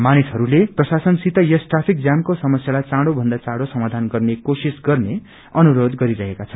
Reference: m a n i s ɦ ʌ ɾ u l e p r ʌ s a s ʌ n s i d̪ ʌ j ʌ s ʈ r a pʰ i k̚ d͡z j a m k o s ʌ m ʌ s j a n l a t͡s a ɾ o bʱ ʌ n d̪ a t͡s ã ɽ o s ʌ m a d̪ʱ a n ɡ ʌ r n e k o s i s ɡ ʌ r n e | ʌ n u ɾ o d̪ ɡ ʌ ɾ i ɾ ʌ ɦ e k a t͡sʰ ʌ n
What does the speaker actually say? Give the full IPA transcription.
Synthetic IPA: m a n i s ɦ ʌ ɾ u l e p r ʌ s a s ʌ n s i t̪ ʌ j ʌ s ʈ r a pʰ i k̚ d͡z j a m k o s ʌ m ʌ s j a l a t͡s a ɽ o bʱ ʌ n d̪ a t͡s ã ɽ o s ʌ m a d̪ʱ a n ɡ ʌ r n e k o s i s ɡ ʌ r n e | ʌ n u ɾ o d̪ ɡ ʌ ɾ i ɾ ʌ ɦ e k a t͡sʰ ʌ n

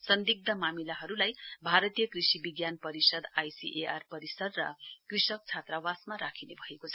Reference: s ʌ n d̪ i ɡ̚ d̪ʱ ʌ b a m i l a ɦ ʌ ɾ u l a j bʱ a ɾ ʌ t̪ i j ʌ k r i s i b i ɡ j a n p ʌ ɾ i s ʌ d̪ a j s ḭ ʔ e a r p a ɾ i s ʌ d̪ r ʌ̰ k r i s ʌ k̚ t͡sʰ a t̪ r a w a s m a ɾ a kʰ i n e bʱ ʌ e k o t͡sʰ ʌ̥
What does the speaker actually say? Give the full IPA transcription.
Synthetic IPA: s ʌ n d̪ i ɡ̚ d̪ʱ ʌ m a m i l a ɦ ʌ ɾ u l a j bʱ a ɾ ʌ t̪ i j ʌ k r i s i b i ɡ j a n p ʌ ɾ i s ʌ d̪ a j s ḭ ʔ e a r p ʌ ɾ i s ʌ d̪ r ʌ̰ k r i s ʌ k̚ t͡sʰ a t̪ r a w a s m a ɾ a kʰ i n e bʱ ʌ e k o t͡sʰ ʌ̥

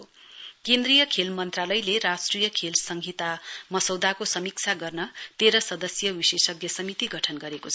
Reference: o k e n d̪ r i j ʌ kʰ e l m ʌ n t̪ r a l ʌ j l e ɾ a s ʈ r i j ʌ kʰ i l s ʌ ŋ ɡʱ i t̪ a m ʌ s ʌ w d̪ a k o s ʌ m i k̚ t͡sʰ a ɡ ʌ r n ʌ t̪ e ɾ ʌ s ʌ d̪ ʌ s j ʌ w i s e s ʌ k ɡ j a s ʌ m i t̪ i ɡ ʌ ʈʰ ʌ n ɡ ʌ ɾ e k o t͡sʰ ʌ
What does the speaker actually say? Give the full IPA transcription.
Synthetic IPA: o k e n d̪ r i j ʌ kʰ e l m ʌ n t̪ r a l ʌ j l e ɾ a s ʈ r i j ʌ kʰ e l s ʌ ŋ ɡʱ i t̪ a m ʌ s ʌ w d̪ a k o s ʌ m i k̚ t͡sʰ a ɡ ʌ r n ʌ t̪ e ɾ ʌ s ʌ d̪ ʌ s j ʌ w i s e s ʌ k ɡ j ʌ s ʌ m i t̪ i ɡ ʌ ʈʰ ʌ n ɡ ʌ ɾ e k o t͡sʰ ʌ

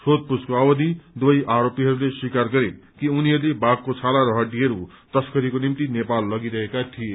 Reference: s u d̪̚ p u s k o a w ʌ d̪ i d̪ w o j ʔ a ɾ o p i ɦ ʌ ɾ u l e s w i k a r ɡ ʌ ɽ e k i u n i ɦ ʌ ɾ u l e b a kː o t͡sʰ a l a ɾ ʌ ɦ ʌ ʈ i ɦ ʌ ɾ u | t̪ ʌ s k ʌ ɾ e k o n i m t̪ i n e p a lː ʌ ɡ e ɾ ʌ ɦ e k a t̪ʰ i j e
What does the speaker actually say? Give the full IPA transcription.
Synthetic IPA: s o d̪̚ p u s k o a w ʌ d̪ i d̪ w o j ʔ a ɾ o p i ɦ ʌ ɾ u l e s w i k a r ɡ ʌ ɾ e k i u n i ɦ ʌ ɾ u l e b a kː o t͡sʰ a l a ɾ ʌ ɦ ʌ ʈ i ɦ ʌ ɾ u | t̪ ʌ s k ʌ ɾ i k o n i m t̪ i n e p a lː ʌ ɡ i ɾ ʌ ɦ e k a t̪ʰ i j e

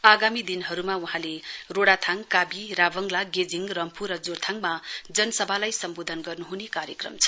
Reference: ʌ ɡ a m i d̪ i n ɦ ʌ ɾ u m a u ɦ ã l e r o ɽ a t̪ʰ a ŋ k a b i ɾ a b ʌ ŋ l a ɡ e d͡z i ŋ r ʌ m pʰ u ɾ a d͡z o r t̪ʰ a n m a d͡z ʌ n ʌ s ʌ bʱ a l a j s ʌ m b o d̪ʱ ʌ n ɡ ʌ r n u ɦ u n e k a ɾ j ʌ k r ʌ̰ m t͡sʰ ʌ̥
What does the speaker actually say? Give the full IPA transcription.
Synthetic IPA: a ɡ a m i d̪ i n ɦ ʌ ɾ u m a u ɦ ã l e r o ɽ a t̪ʰ a ŋ k a b i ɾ a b ʌ ŋ l a ɡ e d͡z i ŋ r ʌ m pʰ u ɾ ʌ d͡z o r t̪ʰ a ŋ m a d͡z ʌ n ʌ s ʌ bʱ a l a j s ʌ m b o d̪ʱ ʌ n ɡ ʌ r n u ɦ u n e k a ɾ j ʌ k r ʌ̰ m t͡sʰ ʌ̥

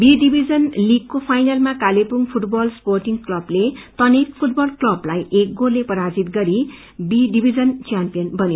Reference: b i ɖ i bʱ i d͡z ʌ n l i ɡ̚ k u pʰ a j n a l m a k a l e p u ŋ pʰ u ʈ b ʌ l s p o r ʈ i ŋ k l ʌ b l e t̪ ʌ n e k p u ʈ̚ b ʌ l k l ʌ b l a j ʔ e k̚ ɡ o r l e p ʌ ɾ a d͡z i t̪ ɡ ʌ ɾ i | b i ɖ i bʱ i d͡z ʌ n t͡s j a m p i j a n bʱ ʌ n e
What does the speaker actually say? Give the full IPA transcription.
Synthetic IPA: b i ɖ i bʱ i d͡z ʌ n l i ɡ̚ k o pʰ a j n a l m a k a l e p u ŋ pʰ u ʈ b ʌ l s p o r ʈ i ŋ k l ʌ b l e t̪ ʌ n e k pʰ u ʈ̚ b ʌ l k l ʌ b l a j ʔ e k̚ ɡ o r l e p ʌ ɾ a d͡z i t̪ ɡ ʌ ɾ i | b i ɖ i bʱ i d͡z ʌ n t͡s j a m p i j ʌ n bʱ ʌ n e

